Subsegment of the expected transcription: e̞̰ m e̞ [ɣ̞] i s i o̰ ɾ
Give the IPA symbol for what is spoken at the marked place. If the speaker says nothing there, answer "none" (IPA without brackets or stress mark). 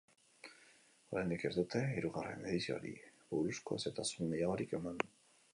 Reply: ð̞